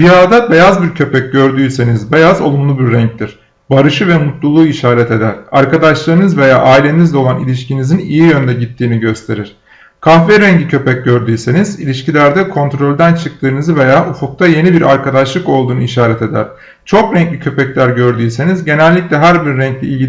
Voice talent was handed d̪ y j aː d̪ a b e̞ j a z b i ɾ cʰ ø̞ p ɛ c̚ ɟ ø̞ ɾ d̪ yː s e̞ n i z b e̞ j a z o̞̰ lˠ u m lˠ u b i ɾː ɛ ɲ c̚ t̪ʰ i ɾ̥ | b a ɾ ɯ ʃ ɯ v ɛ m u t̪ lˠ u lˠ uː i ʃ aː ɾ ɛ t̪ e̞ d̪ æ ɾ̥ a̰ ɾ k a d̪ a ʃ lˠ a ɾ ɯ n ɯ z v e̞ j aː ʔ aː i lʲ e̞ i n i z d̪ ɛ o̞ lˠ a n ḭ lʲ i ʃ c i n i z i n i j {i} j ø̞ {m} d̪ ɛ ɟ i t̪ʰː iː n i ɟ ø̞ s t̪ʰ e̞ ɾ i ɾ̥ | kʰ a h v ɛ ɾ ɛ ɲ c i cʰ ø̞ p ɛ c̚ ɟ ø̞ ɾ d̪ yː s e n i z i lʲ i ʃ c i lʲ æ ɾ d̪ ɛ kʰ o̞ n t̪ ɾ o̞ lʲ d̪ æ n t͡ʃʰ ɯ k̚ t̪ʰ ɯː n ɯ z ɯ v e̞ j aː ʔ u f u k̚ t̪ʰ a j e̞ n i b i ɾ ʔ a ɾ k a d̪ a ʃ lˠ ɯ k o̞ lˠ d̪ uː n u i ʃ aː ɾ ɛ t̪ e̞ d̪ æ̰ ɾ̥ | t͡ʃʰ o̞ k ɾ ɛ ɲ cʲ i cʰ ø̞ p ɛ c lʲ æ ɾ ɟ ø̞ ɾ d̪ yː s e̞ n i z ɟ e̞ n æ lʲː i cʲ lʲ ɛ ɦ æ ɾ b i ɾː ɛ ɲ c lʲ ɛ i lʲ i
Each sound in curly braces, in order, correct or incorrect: correct, incorrect

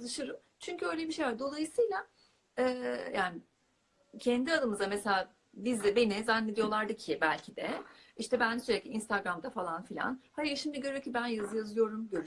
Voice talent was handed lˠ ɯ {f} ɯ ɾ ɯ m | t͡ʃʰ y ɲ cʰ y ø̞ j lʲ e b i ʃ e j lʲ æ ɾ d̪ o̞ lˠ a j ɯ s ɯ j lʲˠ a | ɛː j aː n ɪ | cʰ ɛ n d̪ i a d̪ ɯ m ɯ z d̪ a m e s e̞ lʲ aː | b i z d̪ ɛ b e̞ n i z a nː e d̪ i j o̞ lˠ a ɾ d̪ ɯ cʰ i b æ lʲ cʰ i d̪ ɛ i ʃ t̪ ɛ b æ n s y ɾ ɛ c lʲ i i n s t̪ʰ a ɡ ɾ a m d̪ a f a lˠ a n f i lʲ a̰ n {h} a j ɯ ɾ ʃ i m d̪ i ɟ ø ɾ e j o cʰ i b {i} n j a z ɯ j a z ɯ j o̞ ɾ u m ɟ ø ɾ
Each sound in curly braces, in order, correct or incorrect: incorrect, correct, incorrect

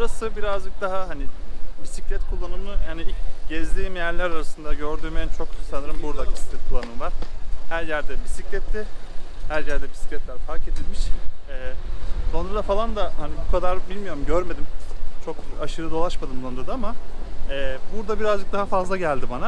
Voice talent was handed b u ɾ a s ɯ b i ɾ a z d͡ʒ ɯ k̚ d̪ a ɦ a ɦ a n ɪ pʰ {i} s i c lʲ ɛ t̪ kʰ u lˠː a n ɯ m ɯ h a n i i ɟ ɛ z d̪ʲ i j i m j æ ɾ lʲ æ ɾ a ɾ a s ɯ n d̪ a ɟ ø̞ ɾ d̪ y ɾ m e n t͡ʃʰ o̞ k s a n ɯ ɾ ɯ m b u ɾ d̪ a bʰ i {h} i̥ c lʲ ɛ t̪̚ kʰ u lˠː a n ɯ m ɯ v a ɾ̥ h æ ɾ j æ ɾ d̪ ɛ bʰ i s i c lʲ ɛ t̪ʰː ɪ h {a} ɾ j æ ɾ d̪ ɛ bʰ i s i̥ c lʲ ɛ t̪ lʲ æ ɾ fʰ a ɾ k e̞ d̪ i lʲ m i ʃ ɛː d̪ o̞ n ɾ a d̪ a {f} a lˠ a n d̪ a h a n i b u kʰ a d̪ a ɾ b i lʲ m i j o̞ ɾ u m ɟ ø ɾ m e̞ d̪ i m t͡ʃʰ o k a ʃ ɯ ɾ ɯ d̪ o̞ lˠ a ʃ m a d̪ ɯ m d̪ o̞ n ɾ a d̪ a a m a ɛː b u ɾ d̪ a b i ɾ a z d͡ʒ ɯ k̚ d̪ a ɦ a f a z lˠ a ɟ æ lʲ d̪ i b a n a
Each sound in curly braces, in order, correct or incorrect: correct, incorrect, incorrect, correct

